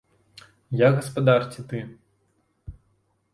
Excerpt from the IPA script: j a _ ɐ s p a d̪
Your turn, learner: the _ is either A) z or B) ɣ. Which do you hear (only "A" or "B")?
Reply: B